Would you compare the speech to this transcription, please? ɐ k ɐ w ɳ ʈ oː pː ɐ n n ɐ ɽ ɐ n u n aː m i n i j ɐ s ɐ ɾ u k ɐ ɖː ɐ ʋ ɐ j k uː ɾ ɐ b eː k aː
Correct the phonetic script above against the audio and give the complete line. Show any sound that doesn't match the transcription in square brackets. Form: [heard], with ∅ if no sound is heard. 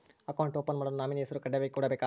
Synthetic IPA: ɐ k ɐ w ɳ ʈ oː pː ɐ n [m] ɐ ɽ ɐ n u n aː m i n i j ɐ s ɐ ɾ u k ɐ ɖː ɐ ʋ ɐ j k uː [ɽ] ɐ b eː k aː